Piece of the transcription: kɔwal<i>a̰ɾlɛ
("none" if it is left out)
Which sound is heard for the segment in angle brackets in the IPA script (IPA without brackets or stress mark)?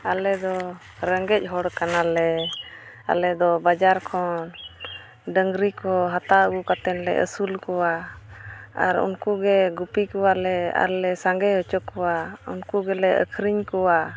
ɛ